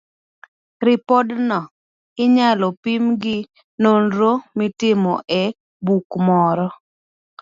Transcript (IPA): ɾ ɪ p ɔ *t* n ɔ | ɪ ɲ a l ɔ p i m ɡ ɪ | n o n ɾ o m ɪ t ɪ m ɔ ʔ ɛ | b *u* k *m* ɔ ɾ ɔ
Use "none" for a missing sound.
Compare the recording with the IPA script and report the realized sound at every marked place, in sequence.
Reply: d, u, m

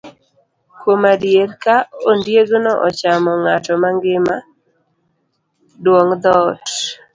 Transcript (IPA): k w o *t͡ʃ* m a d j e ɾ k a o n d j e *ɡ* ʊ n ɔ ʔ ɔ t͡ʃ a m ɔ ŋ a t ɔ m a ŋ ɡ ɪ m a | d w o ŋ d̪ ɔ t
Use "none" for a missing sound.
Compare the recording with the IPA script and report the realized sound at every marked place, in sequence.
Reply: none, ɡ

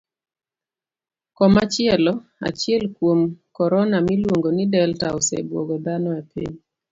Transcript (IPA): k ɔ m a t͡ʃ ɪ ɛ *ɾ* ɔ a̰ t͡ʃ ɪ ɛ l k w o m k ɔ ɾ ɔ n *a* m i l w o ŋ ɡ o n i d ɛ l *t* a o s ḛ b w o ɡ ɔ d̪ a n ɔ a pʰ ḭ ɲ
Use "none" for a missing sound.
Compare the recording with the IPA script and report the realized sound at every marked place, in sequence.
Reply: l, a, t

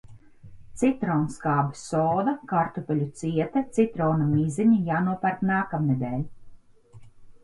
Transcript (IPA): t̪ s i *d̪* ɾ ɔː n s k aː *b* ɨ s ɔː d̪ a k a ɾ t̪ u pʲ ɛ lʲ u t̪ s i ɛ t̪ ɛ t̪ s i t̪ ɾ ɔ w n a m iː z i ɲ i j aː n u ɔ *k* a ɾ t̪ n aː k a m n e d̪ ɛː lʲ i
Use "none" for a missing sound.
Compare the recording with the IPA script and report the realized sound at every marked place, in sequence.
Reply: t̪, b, p

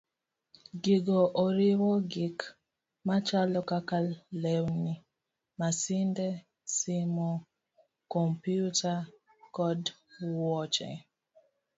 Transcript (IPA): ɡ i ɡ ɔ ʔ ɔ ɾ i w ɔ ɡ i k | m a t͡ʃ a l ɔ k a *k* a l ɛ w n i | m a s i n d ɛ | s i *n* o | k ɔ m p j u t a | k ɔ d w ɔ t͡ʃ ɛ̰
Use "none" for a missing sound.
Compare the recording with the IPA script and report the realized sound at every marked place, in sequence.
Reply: k, m

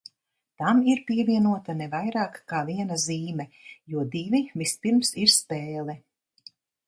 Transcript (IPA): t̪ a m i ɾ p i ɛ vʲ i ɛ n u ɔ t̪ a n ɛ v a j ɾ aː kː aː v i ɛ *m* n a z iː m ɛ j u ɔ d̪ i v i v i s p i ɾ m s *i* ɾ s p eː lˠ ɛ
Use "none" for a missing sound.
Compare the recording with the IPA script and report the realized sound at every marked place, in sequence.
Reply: none, i

